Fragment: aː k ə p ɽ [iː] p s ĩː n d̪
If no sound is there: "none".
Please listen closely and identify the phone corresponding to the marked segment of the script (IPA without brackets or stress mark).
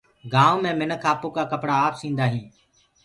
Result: aː